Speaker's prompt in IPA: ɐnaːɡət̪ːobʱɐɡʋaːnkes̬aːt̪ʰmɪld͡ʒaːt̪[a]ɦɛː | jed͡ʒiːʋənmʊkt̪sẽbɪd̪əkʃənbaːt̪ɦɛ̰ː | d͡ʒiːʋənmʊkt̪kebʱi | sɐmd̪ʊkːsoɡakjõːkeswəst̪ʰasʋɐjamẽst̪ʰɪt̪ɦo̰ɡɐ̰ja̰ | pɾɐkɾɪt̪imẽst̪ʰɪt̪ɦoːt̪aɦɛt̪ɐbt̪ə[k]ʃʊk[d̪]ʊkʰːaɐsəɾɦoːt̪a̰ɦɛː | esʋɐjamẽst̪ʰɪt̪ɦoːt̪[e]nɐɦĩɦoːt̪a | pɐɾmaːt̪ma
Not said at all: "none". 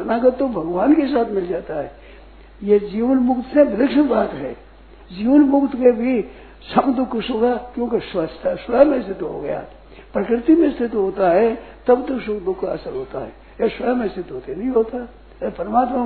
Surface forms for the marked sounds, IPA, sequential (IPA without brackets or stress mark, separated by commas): a, k, d̪, e